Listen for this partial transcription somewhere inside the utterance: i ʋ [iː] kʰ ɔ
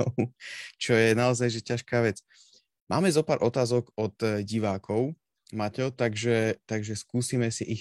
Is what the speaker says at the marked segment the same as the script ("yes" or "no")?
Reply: no